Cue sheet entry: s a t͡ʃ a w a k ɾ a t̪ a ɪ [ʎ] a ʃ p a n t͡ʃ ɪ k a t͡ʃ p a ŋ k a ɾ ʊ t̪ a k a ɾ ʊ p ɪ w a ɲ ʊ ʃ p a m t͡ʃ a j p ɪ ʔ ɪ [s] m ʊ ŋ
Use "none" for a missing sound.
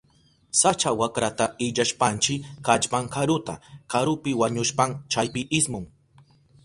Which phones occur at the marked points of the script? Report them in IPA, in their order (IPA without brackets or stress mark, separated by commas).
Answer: ʎ, s